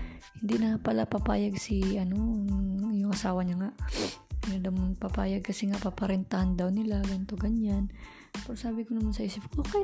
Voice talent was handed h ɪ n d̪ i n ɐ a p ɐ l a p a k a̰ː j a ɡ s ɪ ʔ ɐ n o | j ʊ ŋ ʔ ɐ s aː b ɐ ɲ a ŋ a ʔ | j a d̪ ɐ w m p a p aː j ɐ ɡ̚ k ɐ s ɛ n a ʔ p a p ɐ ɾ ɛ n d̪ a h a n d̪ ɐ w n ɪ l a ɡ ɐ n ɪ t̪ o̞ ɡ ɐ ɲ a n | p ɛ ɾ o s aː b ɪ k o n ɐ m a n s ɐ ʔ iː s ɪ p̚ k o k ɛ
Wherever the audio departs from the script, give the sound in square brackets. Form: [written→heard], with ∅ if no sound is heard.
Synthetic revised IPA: h ɪ n d̪ i n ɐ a p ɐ l a p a [k→p] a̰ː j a ɡ s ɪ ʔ ɐ n o | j ʊ ŋ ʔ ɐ s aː [b→w] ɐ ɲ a ŋ a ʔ | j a d̪ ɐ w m p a p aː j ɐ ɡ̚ k ɐ s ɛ [n→ŋ] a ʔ p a p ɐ ɾ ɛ n [d̪→t̪] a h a n d̪ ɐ w n ɪ l a ɡ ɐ n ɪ t̪ o̞ ɡ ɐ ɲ a n | p ɛ ɾ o s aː b ɪ k o n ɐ m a n s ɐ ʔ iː s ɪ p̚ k o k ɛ